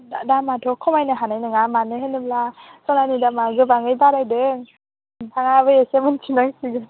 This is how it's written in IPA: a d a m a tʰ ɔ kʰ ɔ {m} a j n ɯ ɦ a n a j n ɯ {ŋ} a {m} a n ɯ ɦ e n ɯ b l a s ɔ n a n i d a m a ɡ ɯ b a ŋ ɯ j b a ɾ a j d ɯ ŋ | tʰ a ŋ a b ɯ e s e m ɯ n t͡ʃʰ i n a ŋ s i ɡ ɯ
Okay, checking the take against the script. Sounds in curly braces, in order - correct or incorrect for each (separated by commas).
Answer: correct, correct, correct